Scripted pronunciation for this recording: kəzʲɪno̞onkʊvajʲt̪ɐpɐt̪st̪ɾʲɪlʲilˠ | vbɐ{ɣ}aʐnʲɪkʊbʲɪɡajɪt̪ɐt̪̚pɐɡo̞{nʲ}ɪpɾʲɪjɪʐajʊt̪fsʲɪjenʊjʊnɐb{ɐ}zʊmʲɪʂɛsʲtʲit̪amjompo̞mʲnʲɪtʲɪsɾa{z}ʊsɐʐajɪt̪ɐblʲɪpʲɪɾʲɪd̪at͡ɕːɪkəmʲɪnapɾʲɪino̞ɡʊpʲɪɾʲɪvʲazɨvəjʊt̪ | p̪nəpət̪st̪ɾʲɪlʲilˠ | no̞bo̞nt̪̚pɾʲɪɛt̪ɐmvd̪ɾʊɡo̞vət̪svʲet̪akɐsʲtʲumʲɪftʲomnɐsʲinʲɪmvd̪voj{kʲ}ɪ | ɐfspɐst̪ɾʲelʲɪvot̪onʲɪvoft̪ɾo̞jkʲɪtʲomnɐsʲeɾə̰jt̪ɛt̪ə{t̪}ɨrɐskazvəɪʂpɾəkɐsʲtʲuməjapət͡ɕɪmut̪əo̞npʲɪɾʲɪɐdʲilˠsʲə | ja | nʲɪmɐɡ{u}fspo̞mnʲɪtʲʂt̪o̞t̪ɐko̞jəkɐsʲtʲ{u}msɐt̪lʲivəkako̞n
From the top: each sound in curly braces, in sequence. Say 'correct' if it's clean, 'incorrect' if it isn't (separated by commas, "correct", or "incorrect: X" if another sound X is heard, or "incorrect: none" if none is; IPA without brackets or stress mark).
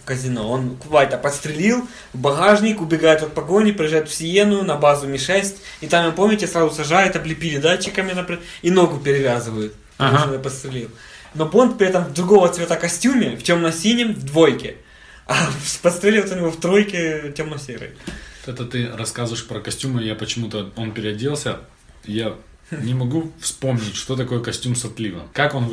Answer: correct, correct, incorrect: a, correct, correct, correct, correct, correct